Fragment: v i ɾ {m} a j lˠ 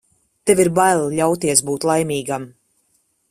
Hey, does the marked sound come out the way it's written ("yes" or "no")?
no